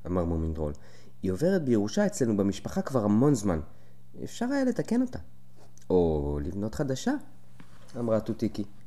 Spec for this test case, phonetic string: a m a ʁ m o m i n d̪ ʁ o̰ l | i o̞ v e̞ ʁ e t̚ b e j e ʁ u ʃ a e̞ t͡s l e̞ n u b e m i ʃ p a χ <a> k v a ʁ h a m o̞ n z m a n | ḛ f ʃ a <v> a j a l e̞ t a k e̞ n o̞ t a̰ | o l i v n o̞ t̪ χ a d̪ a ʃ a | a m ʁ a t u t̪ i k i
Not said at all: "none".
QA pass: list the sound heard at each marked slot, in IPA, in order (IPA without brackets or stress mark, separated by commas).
a, ʁ